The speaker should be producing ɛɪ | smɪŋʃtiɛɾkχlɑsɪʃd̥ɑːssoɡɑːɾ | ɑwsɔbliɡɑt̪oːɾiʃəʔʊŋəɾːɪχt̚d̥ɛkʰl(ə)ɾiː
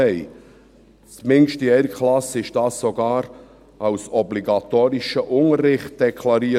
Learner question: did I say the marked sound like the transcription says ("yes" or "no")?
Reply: no